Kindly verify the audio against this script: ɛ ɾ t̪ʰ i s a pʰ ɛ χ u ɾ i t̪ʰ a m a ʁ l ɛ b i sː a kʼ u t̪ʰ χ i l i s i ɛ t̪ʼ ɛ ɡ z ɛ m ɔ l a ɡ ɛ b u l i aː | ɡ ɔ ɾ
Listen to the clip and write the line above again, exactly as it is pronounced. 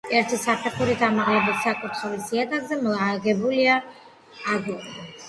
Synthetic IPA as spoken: ɛ ɾ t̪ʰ i s a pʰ ɛ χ u ɾ i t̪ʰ a m a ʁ l ɛ b i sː a kʼ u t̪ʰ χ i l i s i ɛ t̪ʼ a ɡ z ɛ m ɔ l a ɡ ɛ b u l i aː | ɡ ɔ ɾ

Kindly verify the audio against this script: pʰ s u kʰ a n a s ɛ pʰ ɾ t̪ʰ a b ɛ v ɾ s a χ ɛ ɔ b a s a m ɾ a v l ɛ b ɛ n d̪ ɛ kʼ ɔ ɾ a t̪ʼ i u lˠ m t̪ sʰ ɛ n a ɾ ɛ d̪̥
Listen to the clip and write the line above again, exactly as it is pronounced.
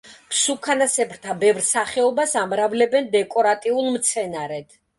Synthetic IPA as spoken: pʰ s u kʰ a n a s ɛ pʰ ɾ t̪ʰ a b ɛ v ɾ s a χ ɛ ɔ b a s a m ɾ a v l ɛ b ɛ n d̪ ɛ kʼ ɔ ɾ a t̪ʼ i u lˠ m t̪ sʰ ɛ n a ɾ ɛ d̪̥

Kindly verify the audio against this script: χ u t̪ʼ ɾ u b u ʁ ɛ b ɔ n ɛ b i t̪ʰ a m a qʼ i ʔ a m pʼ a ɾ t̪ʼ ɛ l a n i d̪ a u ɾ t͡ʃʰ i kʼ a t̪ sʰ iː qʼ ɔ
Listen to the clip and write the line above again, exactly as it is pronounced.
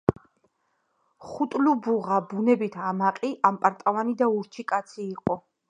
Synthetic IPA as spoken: χ u t̪ʼ l u b u ʁ a b u n ɛ b i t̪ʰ a m a qʼ i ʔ a m pʼ a ɾ t̪ʼ a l a n i d̪ a u ɾ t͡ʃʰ i kʼ a t̪ sʰ iː qʼ ɔ

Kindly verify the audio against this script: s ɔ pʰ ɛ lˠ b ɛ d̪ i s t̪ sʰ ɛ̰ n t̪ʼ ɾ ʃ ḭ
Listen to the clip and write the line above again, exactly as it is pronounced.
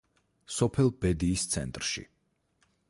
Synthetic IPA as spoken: s ɔ pʰ ɛ lˠ b ɛ d̪ iː s t̪ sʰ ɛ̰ n t̪ʼ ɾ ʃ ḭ

